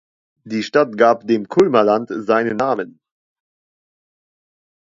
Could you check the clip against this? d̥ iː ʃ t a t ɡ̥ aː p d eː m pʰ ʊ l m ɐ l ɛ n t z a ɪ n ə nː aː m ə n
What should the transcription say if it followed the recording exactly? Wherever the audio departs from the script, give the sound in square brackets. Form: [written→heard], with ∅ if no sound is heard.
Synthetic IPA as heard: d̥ iː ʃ t a t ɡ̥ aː p d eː m [pʰ→kʰ] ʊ l m ɐ l [ɛ→a] n t z a ɪ n ə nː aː m ə n

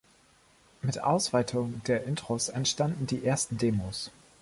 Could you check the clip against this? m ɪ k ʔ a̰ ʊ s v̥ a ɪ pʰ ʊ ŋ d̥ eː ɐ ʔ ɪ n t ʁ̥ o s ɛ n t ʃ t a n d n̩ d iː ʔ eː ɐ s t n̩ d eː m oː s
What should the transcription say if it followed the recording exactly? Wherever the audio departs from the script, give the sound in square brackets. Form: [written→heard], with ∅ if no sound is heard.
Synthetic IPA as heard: m ɪ [k→t] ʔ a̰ ʊ s v̥ a ɪ [pʰ→tʰ] ʊ ŋ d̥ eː ɐ ʔ ɪ n t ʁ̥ o s ɛ n t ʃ t a n d n̩ d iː ʔ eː ɐ s t n̩ d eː m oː s

